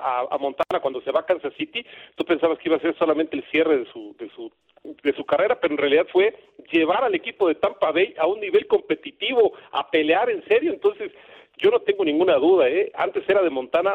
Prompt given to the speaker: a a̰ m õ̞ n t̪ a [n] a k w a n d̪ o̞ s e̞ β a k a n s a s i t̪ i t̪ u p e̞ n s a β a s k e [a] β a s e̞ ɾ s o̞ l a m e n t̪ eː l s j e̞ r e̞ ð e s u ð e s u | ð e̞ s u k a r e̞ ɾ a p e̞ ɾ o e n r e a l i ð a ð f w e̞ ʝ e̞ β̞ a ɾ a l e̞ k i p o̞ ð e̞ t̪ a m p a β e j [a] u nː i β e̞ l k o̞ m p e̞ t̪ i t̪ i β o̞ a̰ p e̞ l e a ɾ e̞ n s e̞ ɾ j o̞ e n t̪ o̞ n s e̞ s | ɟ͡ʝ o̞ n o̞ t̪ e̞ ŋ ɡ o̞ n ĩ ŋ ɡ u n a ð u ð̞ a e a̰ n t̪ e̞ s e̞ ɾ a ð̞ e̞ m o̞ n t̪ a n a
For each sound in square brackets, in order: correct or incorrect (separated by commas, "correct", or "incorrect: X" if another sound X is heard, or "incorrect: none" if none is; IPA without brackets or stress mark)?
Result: correct, incorrect: i, correct